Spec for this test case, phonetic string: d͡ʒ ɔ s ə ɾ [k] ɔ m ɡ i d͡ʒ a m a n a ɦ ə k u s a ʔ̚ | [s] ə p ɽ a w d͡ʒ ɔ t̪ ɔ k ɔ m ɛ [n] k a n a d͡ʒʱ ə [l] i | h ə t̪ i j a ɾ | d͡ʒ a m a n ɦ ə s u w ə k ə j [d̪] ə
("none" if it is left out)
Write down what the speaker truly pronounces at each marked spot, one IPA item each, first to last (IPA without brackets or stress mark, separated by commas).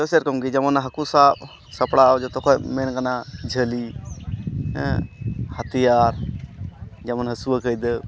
k, s, n, l, d̪